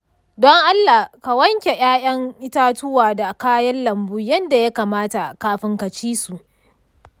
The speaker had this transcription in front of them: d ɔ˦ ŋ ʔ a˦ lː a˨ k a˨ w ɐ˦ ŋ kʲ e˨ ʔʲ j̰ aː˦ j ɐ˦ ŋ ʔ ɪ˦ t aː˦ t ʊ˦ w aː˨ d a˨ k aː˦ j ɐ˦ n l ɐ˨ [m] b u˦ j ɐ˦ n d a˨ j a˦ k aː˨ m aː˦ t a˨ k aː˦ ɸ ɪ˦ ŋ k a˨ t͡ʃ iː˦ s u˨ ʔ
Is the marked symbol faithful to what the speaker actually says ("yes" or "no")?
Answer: yes